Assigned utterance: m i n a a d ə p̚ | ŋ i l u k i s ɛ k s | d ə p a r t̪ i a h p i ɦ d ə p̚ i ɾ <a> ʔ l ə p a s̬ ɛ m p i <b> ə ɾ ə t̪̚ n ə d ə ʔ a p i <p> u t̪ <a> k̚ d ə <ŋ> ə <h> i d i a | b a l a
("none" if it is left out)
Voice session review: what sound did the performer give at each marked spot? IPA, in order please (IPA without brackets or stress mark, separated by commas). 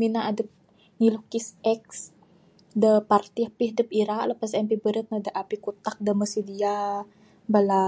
a, b, k, a, m, s